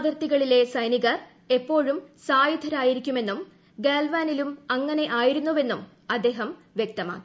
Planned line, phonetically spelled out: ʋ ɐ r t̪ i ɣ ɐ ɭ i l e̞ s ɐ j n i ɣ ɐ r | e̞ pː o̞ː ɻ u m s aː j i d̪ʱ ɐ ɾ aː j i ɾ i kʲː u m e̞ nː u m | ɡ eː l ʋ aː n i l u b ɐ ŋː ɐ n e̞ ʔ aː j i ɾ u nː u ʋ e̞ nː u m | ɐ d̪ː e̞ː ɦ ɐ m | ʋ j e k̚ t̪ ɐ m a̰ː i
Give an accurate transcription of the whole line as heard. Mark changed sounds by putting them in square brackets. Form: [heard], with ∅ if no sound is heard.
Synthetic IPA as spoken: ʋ ɐ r t̪ i ɣ ɐ ɭ i l e̞ s ɐ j n i ɣ ɐ r | e̞ pː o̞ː ɻ u m s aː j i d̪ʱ ɐ ɾ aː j i ɾ i kʲː u m e̞ nː u m | ɡ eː l ʋ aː n i l u [m] ɐ ŋː ɐ n e̞ ʔ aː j i ɾ u nː u ʋ e̞ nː u m | ɐ d̪ː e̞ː ɦ ɐ m | ʋ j e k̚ t̪ ɐ m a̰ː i

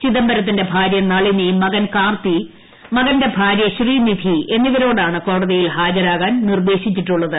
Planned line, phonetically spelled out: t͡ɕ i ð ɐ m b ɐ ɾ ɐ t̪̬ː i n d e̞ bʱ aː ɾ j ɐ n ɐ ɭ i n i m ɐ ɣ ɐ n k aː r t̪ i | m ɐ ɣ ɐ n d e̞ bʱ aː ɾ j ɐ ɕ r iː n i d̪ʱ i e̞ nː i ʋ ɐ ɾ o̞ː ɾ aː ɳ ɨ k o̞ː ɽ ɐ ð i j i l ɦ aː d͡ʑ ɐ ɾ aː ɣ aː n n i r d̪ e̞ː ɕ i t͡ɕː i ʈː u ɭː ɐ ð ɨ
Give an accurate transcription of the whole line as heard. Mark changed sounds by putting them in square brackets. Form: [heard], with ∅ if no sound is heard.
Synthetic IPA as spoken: t͡ɕ i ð ɐ m b ɐ ɾ ɐ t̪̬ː i n d e̞ bʱ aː ɾ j ɐ n ɐ ɭ i n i m ɐ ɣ ɐ n k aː r t̪ i | m ɐ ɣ ɐ n d e̞ bʱ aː ɾ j ɐ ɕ r iː n i d̪ʱ i e̞ nː i ʋ ɐ ɾ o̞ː [ɽ] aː ɳ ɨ k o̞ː ɽ ɐ ð i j i l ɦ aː d͡ʑ ɐ ɾ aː ɣ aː n n i r d̪ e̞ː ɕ i t͡ɕː i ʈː u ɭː ɐ ð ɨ

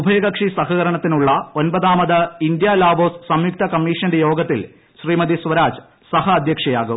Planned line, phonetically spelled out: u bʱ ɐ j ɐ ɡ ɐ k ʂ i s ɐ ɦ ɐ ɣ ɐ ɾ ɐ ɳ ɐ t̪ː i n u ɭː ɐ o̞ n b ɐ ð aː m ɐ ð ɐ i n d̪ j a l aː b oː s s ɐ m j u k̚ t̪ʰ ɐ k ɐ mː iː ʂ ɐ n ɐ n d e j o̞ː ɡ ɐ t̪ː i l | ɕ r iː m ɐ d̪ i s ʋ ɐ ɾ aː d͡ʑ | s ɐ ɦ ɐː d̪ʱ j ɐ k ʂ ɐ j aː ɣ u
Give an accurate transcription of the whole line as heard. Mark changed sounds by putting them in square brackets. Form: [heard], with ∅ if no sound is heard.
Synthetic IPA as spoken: u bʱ ɐ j ɐ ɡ ɐ k ʂ i s ɐ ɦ ɐ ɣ ɐ ɾ ɐ ɳ ɐ t̪ː i n u ɭː ɐ o̞ n b ɐ ð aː m ɐ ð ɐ i n d̪ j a l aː b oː s s ɐ m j u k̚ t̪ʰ ɐ k ɐ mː iː ʂ ɐ n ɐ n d e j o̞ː ɡ ɐ t̪ː i l | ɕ r iː m ɐ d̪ i s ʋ ɐ ɾ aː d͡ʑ | s ɐ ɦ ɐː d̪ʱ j ɐ k ʂ ɐ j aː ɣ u

